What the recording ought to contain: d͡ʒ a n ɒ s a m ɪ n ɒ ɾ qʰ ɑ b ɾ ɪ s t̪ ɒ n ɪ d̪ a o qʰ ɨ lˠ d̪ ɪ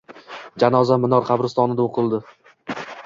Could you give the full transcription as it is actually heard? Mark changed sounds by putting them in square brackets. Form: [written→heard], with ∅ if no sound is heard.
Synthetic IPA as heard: d͡ʒ a n ɒ [s→z] a m ɪ n ɒ ɾ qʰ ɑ b ɾ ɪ s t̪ ɒ n ɪ d̪ a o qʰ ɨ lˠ d̪ ɪ